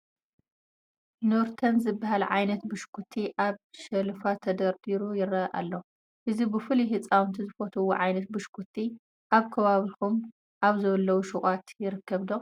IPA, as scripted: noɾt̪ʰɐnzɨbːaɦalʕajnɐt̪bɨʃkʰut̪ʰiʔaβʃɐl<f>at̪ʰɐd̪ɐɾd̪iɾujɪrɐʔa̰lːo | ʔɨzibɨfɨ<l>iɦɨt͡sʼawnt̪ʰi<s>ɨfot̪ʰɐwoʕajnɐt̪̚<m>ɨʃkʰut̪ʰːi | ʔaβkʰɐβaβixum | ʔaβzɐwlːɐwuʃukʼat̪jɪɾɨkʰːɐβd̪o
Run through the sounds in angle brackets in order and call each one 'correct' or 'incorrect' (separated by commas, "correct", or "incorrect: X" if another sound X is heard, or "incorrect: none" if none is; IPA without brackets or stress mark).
correct, correct, incorrect: z, incorrect: b